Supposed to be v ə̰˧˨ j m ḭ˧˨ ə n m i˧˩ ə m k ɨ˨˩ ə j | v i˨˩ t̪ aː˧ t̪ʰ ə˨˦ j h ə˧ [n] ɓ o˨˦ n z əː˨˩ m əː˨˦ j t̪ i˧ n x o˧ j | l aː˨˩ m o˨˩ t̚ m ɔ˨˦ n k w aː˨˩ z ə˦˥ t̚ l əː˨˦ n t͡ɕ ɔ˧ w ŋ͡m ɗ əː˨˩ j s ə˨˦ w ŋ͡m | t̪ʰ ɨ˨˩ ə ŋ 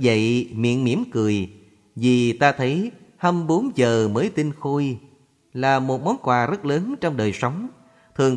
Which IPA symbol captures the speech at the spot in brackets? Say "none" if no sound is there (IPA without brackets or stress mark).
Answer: m